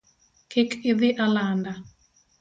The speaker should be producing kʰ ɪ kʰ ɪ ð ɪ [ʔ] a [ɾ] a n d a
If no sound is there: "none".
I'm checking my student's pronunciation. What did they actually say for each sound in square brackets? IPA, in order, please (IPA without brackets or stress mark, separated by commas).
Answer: ʔ, l